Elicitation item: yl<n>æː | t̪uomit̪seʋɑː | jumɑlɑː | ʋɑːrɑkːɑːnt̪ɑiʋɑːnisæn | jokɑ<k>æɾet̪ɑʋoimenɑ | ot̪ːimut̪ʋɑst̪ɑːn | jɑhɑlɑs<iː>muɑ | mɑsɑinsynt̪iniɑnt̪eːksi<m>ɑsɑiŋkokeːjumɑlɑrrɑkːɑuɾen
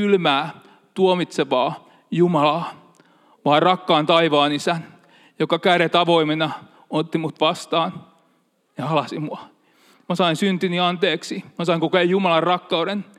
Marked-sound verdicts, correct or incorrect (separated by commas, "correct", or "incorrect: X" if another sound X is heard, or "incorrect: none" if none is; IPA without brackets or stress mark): incorrect: m, correct, incorrect: i, correct